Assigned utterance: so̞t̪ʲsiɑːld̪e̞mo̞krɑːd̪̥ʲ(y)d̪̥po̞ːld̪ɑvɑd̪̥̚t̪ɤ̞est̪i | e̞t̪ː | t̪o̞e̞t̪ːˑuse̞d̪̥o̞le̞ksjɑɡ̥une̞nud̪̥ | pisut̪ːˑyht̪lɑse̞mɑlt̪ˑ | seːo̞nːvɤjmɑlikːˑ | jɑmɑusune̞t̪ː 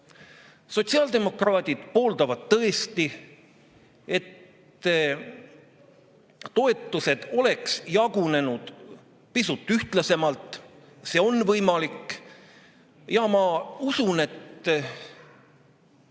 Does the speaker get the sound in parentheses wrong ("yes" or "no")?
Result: yes